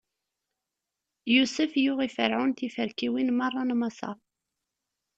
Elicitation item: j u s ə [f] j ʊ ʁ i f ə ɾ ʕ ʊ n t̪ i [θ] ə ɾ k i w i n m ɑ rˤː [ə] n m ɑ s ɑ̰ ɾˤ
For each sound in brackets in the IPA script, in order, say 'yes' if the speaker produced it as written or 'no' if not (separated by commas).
yes, no, no